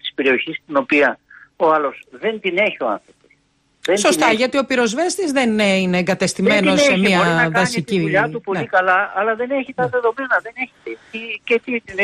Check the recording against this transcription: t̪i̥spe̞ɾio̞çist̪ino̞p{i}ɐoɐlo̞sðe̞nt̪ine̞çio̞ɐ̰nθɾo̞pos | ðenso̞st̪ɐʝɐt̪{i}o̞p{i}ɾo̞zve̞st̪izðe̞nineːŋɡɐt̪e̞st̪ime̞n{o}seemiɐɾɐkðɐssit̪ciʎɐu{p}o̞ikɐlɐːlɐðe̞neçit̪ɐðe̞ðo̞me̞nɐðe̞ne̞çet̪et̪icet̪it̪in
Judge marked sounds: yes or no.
yes, yes, yes, yes, yes

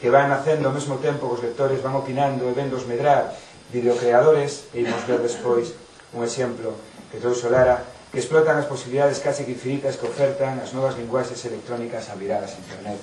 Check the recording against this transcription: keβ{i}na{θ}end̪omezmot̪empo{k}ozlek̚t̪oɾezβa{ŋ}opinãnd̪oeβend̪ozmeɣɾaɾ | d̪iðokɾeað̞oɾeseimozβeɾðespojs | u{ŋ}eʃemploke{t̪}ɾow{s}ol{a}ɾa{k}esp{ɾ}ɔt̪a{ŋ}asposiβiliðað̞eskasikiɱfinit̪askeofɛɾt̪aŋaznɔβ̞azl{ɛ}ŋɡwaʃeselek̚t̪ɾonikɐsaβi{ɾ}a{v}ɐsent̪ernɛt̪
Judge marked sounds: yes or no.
no, yes, yes, yes, yes, yes, yes, yes, yes, no, yes, no, yes, no

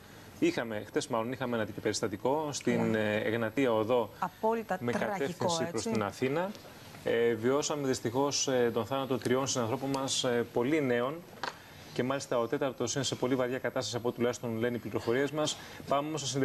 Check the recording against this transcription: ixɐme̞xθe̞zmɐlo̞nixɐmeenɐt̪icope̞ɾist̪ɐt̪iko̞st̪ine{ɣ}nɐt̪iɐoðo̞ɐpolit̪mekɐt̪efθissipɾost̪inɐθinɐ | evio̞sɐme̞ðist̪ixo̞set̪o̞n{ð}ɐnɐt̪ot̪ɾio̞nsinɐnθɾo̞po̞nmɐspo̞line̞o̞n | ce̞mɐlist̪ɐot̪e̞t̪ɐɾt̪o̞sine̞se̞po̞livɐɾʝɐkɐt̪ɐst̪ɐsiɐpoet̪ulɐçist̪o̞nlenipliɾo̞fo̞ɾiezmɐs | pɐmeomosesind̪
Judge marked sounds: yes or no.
yes, no

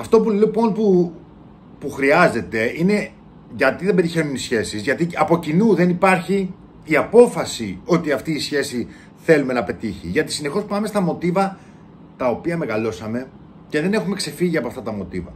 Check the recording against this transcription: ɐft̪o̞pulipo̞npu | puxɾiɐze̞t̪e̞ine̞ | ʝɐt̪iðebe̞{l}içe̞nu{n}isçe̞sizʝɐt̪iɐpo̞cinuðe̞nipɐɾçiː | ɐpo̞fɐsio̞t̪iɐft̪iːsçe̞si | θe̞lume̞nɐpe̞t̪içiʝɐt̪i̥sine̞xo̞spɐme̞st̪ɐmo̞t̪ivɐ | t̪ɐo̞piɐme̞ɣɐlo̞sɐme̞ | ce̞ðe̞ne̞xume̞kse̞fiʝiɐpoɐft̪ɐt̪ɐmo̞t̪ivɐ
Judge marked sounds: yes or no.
no, yes

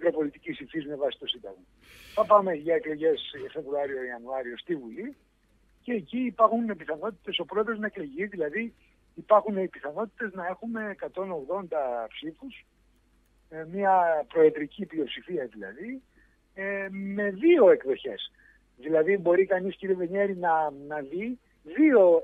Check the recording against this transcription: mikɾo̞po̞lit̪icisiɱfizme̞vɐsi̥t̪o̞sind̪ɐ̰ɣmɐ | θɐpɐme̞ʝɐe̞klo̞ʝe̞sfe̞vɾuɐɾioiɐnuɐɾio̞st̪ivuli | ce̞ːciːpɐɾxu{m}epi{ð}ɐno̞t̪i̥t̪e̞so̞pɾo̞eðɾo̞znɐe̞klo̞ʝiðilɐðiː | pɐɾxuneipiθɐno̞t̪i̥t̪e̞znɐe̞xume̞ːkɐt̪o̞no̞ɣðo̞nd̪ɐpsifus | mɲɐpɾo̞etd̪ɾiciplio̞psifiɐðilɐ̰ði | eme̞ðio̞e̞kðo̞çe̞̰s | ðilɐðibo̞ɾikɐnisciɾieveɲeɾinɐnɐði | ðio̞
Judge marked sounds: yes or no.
no, no

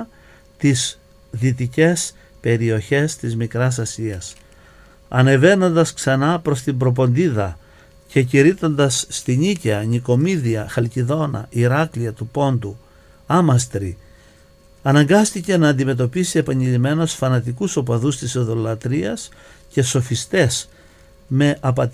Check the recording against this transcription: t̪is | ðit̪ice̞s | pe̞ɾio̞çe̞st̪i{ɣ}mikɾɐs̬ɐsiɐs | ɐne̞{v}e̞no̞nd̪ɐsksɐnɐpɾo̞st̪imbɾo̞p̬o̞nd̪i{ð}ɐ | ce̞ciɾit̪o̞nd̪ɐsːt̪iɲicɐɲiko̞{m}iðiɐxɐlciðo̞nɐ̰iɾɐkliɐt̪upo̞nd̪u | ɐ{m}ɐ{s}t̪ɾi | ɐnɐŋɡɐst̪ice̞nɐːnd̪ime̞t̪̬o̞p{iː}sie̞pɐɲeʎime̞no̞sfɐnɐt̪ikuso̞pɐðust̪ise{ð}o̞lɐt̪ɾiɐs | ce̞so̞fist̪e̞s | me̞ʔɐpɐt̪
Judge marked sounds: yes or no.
no, yes, yes, yes, yes, yes, no, yes

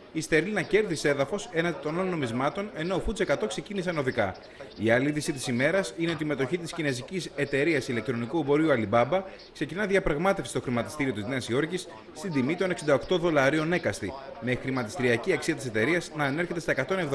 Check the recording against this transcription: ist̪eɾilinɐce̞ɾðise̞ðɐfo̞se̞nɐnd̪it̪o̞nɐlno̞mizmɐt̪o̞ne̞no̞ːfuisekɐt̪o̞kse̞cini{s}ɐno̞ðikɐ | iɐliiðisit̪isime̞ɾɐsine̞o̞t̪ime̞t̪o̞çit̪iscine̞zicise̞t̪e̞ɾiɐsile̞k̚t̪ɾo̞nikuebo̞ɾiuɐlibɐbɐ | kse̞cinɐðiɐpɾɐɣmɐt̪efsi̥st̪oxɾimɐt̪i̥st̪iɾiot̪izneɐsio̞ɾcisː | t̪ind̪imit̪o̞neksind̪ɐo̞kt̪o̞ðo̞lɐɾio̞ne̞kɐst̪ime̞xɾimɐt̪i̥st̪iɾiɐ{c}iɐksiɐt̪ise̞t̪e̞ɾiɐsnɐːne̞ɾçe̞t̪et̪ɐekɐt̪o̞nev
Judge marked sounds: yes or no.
yes, yes

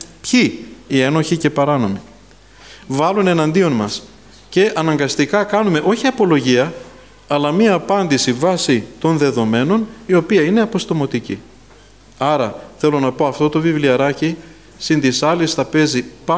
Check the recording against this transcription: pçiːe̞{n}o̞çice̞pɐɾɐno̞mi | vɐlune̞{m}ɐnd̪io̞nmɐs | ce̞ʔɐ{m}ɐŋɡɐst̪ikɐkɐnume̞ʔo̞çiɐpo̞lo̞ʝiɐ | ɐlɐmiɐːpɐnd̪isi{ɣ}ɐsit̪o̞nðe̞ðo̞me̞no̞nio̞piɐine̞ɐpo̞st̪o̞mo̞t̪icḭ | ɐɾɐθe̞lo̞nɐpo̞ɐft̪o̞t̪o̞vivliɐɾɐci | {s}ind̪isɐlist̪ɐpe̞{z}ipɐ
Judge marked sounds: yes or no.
yes, no, no, no, yes, yes

